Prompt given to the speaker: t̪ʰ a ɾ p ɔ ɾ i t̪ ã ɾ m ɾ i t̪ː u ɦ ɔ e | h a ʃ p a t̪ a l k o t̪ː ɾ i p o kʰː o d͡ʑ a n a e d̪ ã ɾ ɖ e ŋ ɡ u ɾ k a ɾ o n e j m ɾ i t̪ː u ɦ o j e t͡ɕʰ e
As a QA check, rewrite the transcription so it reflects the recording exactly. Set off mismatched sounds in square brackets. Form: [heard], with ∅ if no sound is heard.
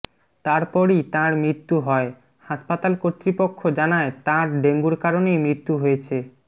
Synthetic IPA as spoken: [t̪] a ɾ p ɔ ɾ i t̪ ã ɾ m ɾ i t̪ː u ɦ ɔ e | h a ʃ p a t̪ a l k o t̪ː ɾ i p o kʰː o d͡ʑ a n a e [t̪] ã ɾ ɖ e ŋ ɡ u ɾ k a ɾ o n e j m ɾ i t̪ː u ɦ o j e t͡ɕʰ e